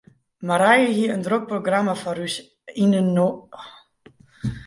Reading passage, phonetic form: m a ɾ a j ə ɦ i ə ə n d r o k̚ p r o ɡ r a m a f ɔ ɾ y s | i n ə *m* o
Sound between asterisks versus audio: incorrect: n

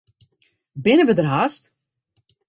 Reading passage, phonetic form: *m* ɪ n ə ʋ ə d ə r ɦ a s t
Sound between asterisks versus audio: incorrect: b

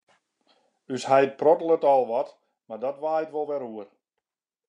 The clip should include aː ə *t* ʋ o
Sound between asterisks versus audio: correct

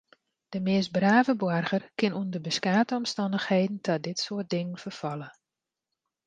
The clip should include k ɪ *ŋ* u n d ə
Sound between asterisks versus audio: incorrect: n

